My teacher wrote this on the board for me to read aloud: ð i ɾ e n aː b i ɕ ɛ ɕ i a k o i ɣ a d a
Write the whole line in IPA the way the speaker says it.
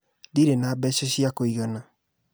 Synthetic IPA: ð i ɾ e n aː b ɛ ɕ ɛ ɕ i a k o i ɣ a n a